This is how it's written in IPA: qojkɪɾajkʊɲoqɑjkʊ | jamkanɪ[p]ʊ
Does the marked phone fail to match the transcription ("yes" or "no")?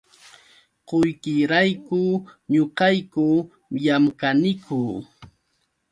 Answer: yes